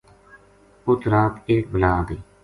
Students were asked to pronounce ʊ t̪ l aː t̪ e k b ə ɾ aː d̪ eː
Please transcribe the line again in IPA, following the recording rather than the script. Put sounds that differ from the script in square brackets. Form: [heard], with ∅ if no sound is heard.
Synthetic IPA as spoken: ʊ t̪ [ɾ] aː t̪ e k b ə [l] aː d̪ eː